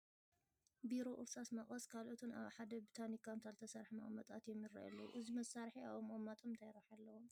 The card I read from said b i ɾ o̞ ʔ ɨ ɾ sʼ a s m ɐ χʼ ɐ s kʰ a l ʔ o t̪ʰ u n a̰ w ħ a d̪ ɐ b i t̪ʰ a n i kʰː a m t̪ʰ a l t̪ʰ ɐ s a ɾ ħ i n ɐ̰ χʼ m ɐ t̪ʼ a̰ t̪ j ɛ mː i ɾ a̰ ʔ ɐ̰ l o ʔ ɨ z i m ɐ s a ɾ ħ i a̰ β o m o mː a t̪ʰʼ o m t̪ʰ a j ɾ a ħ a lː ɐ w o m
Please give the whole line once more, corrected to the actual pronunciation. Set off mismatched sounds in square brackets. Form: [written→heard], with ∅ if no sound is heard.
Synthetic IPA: b i ɾ o̞ ʔ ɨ ɾ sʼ a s m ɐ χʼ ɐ s kʰ a l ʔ o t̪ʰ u n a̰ [w→β] ħ a d̪ ɐ b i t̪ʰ a n i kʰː a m t̪ʰ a l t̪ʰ ɐ s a ɾ ħ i [n→m] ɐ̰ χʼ m ɐ t̪ʼ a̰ t̪ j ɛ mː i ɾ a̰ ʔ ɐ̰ l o ʔ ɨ z i m ɐ s a ɾ ħ i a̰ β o m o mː a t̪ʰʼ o m t̪ʰ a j ɾ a ħ a lː ɐ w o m

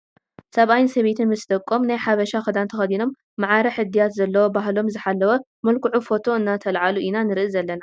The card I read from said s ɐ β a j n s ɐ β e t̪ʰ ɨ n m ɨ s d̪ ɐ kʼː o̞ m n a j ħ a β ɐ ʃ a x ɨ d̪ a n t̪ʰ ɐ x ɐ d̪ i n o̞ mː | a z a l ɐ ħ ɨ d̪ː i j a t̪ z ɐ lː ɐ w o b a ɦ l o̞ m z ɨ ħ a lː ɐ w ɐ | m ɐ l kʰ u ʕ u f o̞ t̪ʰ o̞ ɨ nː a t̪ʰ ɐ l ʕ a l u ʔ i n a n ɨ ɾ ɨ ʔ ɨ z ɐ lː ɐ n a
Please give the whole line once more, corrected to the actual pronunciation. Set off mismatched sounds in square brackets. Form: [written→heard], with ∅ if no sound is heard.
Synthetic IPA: s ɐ β a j n s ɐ β e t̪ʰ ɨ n m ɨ s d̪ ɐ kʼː o̞ m n a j ħ a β ɐ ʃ a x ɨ d̪ a n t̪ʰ ɐ x ɐ d̪ i n o̞ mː | a [z→ʕ] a [l→ɾ] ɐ ħ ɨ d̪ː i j a t̪ z ɐ lː ɐ w o b a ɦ l o̞ m z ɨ ħ a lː ɐ w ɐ | m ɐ l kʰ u ʕ u f o̞ t̪ʰ o̞ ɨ nː a t̪ʰ ɐ l ʕ a l u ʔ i n a n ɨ ɾ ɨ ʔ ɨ z ɐ lː ɐ n a

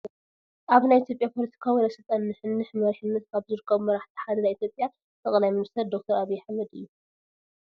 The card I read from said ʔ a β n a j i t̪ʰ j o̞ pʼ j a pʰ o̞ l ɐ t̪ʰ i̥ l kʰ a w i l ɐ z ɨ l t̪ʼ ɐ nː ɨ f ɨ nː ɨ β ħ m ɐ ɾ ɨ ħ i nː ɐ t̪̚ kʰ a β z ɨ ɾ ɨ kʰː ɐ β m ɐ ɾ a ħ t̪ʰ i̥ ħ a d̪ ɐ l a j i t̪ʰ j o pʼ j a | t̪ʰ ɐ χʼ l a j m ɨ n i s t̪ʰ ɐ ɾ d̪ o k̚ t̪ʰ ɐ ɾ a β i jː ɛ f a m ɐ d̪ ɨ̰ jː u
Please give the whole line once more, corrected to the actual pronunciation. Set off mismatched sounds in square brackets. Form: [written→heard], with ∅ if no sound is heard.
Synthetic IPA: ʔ a β n a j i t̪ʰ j o̞ pʼ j a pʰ o̞ l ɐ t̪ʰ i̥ [l→∅] kʰ a w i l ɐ [z→s] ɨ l t̪ʼ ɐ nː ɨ [f→ħ] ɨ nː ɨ [β→∅] ħ m ɐ ɾ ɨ ħ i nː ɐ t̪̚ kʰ a β z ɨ ɾ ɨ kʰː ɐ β m ɐ ɾ a ħ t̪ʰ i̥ ħ a d̪ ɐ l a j i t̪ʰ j o pʼ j a | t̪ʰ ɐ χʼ l a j m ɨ n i s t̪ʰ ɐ ɾ d̪ o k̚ t̪ʰ ɐ ɾ a β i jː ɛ [f→ħ] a m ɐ d̪ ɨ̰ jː u

